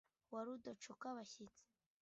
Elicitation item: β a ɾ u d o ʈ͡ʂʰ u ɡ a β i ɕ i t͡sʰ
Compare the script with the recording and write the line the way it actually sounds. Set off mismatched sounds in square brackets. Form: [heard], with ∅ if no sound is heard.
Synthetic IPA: [w] a ɾ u d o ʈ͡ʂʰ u [k] a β [a] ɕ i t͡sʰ